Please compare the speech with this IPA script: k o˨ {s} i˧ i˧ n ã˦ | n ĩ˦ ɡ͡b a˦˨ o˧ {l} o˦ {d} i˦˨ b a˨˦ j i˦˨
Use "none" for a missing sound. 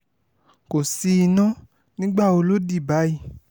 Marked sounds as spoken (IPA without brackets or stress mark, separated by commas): s, l, d